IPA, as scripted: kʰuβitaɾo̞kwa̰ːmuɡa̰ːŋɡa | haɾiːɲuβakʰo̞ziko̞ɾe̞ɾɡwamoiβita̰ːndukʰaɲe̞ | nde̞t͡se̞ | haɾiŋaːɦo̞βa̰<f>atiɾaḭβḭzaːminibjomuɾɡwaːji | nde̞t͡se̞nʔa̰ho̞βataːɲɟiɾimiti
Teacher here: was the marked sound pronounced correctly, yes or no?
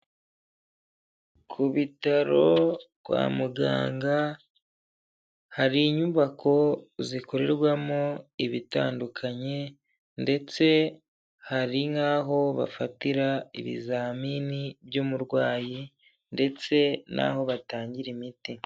yes